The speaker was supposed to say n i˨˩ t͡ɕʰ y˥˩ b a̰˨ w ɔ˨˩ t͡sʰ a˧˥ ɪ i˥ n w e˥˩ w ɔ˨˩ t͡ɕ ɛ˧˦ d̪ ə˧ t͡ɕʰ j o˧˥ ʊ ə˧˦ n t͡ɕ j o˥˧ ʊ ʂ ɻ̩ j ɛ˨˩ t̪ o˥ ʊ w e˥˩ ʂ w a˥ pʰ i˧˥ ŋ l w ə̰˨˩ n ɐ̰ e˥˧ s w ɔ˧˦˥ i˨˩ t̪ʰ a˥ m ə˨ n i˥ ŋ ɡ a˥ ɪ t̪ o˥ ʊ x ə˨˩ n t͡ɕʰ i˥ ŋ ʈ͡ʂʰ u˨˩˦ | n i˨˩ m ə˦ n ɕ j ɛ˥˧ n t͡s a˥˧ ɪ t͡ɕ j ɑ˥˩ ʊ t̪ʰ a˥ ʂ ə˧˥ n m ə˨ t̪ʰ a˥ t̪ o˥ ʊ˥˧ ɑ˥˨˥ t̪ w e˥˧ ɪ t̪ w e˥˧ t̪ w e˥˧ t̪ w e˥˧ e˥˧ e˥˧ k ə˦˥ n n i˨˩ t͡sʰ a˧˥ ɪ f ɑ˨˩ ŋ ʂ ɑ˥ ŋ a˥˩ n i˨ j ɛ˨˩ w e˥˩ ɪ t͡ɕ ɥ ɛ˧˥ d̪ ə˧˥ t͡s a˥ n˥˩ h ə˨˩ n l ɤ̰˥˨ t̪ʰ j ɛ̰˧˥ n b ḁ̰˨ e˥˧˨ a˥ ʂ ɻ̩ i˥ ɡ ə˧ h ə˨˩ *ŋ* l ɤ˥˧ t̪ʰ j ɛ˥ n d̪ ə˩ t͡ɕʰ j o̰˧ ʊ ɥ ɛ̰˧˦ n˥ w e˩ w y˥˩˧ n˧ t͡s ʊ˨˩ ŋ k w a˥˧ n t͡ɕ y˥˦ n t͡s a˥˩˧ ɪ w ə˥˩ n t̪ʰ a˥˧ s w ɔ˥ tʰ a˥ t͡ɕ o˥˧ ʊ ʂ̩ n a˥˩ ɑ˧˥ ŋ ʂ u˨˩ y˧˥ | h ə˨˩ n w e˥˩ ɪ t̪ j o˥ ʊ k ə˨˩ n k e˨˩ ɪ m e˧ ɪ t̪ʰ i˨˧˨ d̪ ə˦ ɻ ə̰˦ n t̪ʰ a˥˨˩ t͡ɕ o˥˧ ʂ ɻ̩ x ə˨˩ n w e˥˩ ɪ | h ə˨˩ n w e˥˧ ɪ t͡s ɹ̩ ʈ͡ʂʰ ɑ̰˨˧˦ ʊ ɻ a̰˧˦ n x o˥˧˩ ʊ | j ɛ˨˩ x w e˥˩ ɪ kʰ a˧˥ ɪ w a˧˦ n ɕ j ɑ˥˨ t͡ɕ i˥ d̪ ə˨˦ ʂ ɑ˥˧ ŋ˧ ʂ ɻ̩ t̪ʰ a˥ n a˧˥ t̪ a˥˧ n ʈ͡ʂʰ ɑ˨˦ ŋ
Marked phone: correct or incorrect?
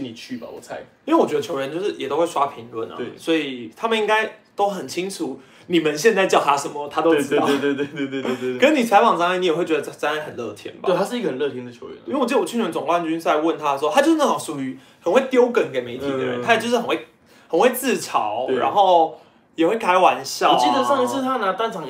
incorrect